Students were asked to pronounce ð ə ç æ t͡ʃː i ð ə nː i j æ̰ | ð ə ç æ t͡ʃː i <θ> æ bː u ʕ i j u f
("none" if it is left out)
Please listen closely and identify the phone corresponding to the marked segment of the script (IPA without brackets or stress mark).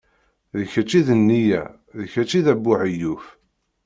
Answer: ð